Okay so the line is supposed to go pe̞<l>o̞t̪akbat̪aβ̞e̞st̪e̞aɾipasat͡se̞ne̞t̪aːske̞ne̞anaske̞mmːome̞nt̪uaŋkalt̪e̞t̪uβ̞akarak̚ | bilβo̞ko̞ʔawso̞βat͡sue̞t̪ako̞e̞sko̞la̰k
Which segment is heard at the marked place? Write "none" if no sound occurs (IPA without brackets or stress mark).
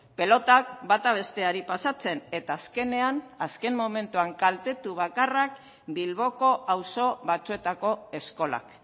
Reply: l